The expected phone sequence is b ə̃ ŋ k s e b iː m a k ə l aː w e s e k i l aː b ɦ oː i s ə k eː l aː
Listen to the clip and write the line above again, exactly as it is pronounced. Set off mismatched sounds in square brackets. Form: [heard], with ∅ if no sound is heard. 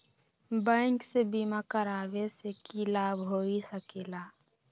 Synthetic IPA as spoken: b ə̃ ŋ k s e b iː m a k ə [ɾ] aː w e s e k i l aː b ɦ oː i s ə k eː l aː